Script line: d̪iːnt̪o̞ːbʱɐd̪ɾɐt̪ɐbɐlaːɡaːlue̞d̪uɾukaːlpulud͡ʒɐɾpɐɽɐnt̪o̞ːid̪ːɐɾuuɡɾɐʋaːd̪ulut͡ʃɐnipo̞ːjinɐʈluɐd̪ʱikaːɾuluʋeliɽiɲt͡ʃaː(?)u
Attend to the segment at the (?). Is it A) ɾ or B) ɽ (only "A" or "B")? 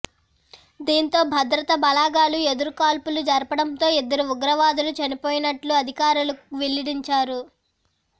A